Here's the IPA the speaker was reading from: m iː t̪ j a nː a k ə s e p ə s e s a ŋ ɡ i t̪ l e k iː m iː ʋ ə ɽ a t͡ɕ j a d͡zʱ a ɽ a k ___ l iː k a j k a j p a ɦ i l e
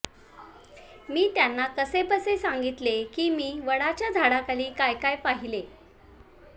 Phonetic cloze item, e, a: a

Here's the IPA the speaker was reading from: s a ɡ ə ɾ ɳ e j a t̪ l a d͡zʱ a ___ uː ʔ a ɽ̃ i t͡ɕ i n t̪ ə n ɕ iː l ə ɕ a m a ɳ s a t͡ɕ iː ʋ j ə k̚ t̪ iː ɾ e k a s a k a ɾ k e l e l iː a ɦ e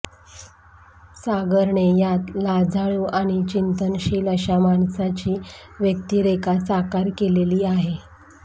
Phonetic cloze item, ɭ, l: ɭ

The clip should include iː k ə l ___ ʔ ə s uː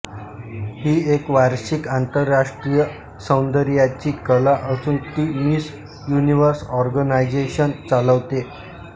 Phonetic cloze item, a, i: a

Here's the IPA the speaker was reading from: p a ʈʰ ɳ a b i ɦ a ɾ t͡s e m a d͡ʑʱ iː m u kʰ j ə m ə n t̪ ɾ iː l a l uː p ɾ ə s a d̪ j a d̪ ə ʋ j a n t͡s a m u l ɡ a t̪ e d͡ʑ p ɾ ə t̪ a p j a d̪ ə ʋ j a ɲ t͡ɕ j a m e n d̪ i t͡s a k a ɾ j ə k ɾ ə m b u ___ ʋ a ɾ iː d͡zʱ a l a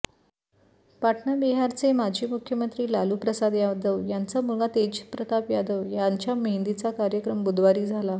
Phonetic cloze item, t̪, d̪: d̪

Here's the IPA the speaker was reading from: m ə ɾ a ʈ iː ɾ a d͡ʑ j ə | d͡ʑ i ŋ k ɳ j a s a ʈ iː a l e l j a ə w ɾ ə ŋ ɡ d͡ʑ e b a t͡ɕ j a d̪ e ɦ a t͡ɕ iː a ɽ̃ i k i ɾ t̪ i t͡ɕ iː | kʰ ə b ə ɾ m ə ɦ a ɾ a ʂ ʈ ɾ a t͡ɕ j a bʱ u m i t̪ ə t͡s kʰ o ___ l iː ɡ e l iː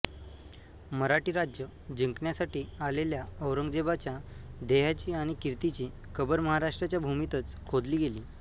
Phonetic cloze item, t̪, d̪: d̪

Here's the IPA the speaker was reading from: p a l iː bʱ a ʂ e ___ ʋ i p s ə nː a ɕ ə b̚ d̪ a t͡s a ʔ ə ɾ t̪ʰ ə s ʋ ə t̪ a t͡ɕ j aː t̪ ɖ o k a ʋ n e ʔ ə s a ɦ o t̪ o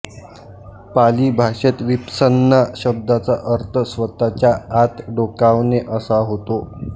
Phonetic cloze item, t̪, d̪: t̪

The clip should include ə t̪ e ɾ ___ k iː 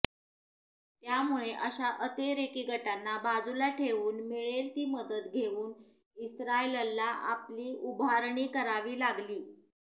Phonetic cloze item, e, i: e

